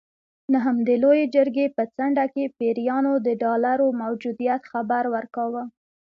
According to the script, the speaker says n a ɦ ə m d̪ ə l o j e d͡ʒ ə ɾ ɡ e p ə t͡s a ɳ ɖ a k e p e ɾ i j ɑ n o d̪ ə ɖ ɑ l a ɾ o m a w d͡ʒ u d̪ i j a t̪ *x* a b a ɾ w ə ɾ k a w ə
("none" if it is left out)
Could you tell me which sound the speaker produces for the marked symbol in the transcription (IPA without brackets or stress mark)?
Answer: x